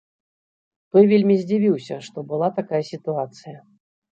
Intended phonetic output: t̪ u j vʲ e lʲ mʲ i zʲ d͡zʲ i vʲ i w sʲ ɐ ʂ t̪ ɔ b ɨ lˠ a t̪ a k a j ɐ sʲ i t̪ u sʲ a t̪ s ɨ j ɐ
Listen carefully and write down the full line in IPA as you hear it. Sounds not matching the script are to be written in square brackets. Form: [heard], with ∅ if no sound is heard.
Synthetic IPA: t̪ [ɔ] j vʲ e lʲ mʲ i zʲ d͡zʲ i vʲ i w sʲ ɐ ʂ t̪ ɔ b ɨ lˠ a t̪ a k a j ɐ sʲ i t̪ u [∅] a t̪ s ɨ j ɐ